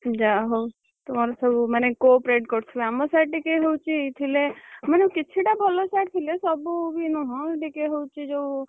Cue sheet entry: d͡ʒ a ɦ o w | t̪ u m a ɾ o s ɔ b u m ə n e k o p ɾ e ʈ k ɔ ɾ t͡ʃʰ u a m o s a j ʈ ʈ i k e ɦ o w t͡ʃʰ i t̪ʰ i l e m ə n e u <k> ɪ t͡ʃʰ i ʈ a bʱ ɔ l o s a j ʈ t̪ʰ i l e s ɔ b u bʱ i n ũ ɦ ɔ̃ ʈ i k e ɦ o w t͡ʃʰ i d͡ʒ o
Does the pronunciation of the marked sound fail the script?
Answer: no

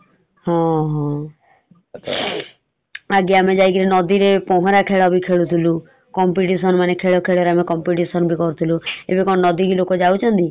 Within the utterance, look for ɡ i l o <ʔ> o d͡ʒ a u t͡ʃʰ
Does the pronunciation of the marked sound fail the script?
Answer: yes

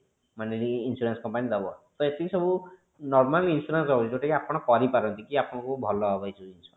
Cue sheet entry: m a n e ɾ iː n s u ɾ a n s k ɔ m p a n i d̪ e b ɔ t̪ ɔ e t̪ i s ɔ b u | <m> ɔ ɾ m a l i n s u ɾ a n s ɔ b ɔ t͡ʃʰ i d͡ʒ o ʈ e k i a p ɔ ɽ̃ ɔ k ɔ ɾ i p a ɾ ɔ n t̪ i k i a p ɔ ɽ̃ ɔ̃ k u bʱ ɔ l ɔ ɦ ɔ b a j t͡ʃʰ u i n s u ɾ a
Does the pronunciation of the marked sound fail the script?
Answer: yes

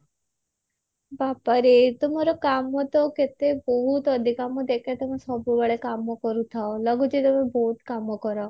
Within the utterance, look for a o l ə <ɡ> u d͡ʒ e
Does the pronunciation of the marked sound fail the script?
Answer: no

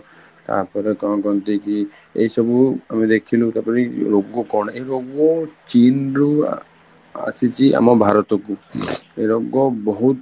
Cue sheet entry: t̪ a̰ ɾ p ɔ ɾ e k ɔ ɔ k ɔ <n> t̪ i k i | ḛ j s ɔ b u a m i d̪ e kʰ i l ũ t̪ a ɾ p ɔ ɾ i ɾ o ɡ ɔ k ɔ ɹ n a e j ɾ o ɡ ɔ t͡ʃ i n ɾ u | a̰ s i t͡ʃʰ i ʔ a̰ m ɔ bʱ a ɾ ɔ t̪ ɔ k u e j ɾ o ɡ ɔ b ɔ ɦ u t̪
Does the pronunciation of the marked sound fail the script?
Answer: no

